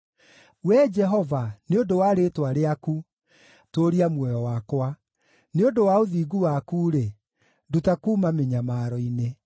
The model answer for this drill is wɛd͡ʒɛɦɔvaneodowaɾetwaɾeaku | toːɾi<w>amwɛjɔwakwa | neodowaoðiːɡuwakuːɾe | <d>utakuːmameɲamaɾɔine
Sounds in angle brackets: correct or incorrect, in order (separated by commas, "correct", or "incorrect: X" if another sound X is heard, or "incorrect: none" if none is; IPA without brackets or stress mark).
incorrect: none, correct